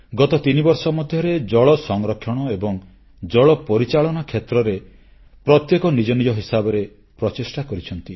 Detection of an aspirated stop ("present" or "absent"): present